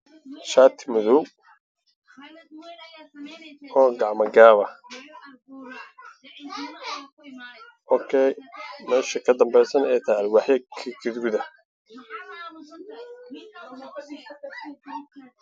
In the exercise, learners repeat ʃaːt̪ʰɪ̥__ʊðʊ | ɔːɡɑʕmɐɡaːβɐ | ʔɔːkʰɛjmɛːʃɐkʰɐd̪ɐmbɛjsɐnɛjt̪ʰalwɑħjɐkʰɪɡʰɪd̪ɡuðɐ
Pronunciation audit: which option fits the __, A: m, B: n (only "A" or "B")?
A